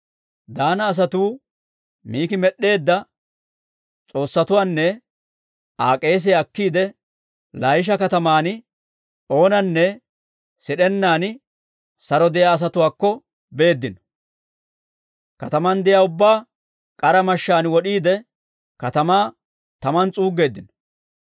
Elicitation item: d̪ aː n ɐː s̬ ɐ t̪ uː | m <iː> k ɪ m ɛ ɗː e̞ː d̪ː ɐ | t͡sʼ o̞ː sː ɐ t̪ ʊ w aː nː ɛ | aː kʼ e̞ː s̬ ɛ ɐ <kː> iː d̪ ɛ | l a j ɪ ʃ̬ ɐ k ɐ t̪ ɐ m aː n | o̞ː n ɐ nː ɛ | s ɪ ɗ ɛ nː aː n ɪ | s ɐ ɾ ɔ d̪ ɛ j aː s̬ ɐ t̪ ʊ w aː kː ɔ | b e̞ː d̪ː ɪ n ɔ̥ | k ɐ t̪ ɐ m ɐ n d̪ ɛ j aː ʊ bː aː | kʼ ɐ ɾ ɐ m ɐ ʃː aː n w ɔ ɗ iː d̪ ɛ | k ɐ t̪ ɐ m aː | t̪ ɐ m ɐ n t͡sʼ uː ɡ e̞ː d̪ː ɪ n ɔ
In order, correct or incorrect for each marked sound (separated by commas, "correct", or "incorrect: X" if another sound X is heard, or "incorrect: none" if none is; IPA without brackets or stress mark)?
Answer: correct, correct